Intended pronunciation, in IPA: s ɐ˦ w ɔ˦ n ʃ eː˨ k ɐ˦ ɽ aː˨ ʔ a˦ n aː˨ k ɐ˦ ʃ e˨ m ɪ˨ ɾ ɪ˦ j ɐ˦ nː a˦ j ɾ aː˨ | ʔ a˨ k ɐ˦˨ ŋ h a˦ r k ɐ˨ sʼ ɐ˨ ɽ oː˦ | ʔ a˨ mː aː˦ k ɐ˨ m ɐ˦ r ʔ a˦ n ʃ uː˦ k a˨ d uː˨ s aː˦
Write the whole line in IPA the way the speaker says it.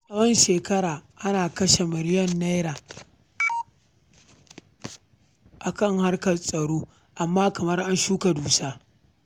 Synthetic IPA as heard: s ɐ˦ w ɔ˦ n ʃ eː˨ k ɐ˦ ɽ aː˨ ʔ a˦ n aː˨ k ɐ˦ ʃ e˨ m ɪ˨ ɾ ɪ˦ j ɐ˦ nː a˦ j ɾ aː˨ | ʔ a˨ k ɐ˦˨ ŋ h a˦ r k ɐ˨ sʼ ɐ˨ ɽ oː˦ | ʔ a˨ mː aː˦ k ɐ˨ m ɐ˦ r ʔ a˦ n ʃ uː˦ k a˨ d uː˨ s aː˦